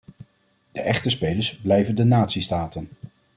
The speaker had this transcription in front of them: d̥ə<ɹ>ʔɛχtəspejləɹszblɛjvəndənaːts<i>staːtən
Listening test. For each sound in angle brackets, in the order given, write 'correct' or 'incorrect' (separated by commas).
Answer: incorrect, correct